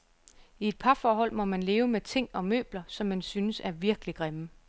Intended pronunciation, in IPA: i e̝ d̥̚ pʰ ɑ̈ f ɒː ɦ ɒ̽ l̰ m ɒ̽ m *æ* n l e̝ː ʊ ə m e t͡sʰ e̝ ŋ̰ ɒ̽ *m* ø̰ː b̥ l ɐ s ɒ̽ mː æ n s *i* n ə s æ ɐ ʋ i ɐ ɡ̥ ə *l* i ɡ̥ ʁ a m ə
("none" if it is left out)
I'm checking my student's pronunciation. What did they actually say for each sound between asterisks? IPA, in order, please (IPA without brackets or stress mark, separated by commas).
æ, m, y, l